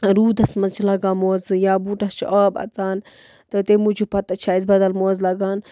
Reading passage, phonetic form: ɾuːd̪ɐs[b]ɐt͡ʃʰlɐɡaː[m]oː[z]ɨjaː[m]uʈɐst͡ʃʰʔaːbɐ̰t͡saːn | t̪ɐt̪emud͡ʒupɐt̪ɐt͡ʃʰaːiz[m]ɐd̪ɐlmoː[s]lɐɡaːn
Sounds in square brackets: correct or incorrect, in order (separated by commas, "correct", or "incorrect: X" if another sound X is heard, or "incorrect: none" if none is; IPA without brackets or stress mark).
incorrect: m, correct, correct, incorrect: b, incorrect: b, incorrect: z